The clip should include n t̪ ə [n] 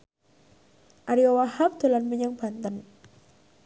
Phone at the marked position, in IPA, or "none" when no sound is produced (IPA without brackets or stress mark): n